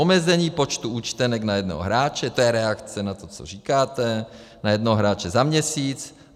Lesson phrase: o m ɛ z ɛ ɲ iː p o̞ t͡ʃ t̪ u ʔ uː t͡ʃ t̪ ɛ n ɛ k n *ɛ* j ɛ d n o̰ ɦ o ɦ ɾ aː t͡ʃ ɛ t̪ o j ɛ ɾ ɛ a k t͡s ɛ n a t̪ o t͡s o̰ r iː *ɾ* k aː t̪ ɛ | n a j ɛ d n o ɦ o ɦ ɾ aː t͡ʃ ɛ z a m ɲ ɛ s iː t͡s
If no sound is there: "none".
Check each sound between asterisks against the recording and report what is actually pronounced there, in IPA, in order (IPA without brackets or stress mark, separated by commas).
a, none